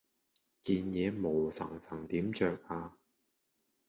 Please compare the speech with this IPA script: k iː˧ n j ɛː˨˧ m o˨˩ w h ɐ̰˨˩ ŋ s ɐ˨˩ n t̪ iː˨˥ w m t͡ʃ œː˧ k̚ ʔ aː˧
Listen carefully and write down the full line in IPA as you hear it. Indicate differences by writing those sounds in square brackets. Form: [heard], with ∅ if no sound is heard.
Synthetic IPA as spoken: k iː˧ n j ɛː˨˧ m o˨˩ w [s] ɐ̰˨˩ ŋ s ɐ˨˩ [ŋ] t̪ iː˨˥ [∅] m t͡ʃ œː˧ k̚ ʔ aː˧